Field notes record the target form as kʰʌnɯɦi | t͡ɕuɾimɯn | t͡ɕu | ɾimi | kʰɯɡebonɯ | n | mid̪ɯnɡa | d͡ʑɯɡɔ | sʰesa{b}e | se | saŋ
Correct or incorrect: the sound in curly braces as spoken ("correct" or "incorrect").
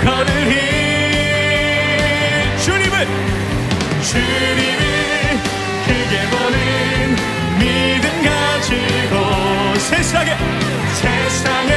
incorrect